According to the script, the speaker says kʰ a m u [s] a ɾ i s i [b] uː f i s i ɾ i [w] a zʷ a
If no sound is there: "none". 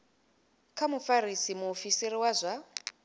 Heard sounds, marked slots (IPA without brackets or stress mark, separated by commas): f, m, w